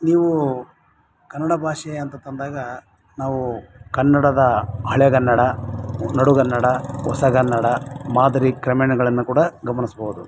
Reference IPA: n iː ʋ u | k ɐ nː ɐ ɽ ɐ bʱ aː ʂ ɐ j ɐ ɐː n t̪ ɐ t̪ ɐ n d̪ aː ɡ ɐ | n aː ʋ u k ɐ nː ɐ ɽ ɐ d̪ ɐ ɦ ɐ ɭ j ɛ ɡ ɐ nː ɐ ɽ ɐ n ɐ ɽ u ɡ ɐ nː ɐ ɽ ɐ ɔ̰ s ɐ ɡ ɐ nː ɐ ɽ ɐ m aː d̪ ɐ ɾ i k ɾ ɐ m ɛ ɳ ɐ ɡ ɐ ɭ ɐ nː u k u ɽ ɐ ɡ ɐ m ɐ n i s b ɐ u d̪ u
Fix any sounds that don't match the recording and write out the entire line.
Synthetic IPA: n iː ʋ u | k ɐ nː ɐ ɽ ɐ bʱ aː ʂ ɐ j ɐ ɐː n t̪ ɐ t̪ ɐ n d̪ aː ɡ ɐ | n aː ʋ u k ɐ nː ɐ ɽ ɐ d̪ ɐ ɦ ɐ ɭ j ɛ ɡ ɐ nː ɐ ɽ ɐ n ɐ ɽ u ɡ ɐ nː ɐ ɽ ɐ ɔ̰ s ɐ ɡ ɐ nː ɐ ɽ ɐ m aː d̪ ɐ ɾ i k ɾ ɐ m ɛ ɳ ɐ ɡ ɐ ɭ ɐ nː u k uː ɽ ɐ ɡ ɐ m ɐ n i s b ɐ u d̪ u